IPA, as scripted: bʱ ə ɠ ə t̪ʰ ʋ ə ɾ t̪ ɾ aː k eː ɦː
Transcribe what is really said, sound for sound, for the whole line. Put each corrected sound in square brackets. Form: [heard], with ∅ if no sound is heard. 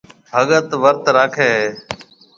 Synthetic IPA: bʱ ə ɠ ə [t̪] ʋ ə ɾ t̪ ɾ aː [kʰ] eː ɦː

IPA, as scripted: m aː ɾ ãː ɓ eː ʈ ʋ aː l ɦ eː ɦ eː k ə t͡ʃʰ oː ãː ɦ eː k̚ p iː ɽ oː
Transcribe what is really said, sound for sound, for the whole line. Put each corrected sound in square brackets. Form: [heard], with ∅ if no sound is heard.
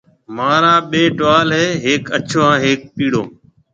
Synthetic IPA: m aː ɾ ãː ɓ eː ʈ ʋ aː l ɦ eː ɦ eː k ə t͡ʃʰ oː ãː ɦ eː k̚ p iː ɽ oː

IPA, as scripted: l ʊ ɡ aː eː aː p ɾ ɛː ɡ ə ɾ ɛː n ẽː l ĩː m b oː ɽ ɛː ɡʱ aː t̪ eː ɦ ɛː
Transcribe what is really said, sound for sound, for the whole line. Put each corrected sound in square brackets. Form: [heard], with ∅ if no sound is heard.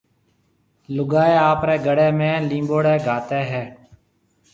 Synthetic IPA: l ʊ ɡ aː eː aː p ɾ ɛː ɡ ə [ɽ] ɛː [m] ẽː l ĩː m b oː ɽ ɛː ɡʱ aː t̪ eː ɦ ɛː

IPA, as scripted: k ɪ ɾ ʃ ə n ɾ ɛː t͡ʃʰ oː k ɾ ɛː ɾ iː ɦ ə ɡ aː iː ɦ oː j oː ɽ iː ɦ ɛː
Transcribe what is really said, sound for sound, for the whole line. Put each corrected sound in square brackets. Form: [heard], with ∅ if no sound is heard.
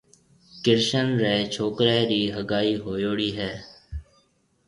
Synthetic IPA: k ɪ ɾ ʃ ə n ɾ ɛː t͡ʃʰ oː k ɾ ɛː ɾ iː ɦ ə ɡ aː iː ɦ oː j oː ɽ iː ɦ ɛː

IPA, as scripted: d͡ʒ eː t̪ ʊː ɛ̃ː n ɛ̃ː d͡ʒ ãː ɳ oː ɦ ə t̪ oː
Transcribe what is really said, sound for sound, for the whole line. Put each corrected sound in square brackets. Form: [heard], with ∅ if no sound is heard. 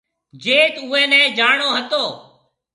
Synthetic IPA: d͡ʒ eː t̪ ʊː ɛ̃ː n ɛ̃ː d͡ʒ [aː] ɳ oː ɦ ə t̪ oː

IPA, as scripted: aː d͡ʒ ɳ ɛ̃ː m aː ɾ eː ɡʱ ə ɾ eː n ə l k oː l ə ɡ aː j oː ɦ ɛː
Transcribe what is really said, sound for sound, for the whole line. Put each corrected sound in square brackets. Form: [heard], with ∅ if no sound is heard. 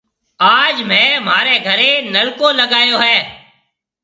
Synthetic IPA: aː d͡ʒ [m] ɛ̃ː m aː ɾ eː ɡʱ ə ɾ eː n ə l k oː l ə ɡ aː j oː ɦ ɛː

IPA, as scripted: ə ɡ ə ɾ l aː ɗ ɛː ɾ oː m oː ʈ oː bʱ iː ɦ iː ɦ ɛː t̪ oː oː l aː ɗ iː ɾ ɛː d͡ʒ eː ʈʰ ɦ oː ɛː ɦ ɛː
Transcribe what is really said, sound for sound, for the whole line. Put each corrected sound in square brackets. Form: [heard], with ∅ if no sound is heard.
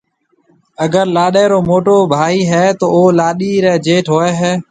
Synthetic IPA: ə ɡ ə ɾ l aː ɗ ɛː ɾ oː m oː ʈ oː bʱ [aː] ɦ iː ɦ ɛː t̪ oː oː l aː ɗ iː ɾ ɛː d͡ʒ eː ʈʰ ɦ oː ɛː ɦ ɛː

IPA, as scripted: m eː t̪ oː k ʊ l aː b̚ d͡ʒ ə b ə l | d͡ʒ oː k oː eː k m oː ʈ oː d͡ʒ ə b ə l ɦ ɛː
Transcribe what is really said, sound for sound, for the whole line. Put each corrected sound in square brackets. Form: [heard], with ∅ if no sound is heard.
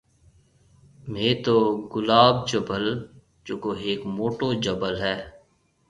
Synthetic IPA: m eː t̪ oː [ɡ] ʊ l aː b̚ d͡ʒ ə b ə l | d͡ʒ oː k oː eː k m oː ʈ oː d͡ʒ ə b ə l ɦ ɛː

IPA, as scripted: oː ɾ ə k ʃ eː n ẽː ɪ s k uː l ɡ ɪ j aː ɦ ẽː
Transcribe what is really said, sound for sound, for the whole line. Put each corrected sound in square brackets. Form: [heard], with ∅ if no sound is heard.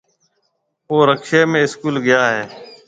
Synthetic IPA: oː ɾ ə k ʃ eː [m] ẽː ɪ s k uː l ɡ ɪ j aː ɦ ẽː

